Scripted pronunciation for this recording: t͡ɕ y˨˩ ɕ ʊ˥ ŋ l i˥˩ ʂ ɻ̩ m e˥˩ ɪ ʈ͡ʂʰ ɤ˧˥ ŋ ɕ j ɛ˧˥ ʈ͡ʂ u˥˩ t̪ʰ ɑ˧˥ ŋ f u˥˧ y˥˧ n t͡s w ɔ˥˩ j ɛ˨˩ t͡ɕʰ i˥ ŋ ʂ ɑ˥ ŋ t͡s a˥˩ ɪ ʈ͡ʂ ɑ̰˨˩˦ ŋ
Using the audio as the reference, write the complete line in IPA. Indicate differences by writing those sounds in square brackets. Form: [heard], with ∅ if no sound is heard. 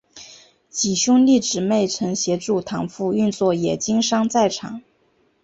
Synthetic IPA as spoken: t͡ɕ [i˨˩] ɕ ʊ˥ ŋ l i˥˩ [ʈ͡ʂ] ɻ̩ m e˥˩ ɪ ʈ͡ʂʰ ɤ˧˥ ŋ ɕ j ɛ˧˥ ʈ͡ʂ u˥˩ t̪ʰ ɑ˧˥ ŋ f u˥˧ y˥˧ n t͡s w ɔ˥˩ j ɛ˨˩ [t͡ɕ] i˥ ŋ ʂ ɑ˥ ŋ t͡s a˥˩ ɪ [ʈ͡ʂʰ] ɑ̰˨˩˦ ŋ